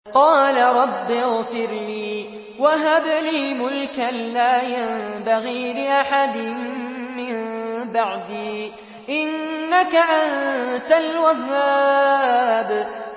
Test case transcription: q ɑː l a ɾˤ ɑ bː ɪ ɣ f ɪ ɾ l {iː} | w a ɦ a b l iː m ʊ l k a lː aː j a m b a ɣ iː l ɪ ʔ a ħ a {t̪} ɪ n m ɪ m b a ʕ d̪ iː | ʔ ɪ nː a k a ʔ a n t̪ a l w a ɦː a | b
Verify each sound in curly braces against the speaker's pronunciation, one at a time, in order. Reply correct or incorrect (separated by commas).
correct, incorrect